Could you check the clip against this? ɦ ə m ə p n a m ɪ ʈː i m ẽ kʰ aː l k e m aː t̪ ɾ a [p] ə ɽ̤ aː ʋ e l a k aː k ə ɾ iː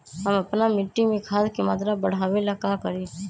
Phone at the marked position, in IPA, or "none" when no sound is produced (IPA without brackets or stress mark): b